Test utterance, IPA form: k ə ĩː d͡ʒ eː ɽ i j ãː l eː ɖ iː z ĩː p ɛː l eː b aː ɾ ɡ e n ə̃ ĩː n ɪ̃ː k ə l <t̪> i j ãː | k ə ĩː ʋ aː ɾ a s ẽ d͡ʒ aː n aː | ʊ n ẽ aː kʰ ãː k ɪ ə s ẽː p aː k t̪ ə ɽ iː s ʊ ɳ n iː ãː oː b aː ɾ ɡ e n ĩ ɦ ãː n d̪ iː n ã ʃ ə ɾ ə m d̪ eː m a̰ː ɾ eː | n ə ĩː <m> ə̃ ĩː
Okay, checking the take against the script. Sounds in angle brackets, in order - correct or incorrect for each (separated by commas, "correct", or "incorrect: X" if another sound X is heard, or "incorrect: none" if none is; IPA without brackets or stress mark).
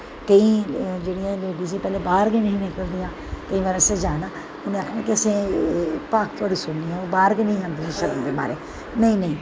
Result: incorrect: d̪, incorrect: n